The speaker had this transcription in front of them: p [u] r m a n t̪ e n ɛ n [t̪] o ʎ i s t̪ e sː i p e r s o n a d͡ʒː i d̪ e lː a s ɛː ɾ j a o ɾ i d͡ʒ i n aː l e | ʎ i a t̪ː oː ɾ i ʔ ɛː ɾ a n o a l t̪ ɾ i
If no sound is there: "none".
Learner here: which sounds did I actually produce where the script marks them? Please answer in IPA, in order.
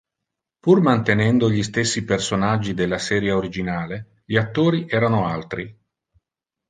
u, d̪

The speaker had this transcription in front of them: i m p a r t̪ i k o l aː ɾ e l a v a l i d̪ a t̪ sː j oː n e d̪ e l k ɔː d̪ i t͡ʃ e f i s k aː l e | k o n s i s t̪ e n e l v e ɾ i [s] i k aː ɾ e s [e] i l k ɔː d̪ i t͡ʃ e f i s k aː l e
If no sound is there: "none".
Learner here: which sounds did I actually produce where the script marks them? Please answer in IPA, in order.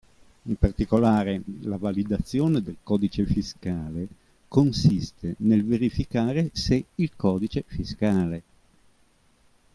f, e

